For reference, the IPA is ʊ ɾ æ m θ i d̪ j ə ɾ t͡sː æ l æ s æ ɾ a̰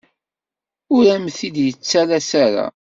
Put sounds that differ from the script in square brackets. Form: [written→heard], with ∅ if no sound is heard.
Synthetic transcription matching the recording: ʊ ɾ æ m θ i d̪ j ə [ɾ→∅] t͡sː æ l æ s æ ɾ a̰